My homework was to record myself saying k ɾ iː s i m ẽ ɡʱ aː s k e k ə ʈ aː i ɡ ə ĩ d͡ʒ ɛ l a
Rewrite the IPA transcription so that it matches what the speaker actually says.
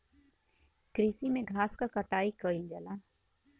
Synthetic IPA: k ɾ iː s i m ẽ ɡʱ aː s k a k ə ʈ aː i k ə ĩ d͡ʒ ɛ l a